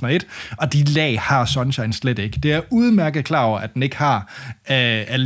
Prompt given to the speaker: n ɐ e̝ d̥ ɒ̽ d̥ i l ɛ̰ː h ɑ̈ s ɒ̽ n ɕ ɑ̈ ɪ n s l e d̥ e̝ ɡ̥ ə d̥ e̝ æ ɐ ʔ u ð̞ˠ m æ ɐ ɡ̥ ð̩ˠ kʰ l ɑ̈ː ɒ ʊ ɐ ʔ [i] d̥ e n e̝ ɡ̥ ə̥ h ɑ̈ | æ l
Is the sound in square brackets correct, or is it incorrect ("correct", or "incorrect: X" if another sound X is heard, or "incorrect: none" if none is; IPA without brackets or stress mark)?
incorrect: æ